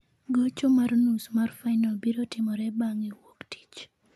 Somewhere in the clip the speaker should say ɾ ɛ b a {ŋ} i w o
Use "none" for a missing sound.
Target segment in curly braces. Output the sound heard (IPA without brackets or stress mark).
ŋ